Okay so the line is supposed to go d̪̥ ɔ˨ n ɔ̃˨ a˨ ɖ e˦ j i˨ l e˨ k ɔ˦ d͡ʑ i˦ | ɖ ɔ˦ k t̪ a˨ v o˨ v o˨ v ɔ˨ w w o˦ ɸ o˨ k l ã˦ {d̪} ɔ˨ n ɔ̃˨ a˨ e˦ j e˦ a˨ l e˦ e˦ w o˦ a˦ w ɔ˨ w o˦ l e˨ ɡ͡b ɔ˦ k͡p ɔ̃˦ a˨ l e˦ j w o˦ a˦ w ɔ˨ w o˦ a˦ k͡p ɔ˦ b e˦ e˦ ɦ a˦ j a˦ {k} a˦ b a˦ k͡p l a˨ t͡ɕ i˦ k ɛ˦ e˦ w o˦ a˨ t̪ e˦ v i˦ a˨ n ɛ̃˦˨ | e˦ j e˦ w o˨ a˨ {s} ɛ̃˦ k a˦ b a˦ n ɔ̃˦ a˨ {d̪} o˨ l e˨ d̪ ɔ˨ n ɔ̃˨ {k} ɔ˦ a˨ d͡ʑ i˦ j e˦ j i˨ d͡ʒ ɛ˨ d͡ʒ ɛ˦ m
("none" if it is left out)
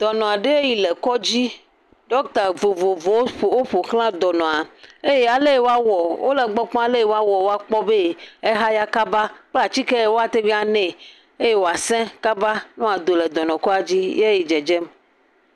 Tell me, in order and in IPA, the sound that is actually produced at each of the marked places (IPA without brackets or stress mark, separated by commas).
d̪, k, s, d̪, k